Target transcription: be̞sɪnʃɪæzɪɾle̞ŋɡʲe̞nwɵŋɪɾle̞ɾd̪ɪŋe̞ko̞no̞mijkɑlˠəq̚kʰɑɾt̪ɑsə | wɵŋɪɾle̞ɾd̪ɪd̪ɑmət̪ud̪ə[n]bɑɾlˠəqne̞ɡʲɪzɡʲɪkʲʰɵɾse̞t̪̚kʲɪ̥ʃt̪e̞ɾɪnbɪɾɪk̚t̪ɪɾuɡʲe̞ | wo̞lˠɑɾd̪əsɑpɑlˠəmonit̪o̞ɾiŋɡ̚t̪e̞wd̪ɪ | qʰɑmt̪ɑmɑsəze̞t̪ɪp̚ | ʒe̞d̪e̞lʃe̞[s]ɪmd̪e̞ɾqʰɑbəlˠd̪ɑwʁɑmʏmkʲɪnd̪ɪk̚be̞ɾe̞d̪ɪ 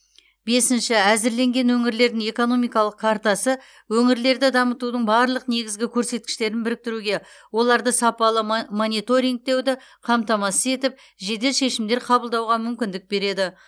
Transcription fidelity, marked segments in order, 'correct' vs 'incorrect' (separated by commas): incorrect, incorrect